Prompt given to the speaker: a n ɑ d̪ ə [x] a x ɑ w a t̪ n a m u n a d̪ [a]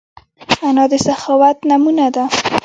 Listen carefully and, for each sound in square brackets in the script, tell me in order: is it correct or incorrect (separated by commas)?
incorrect, correct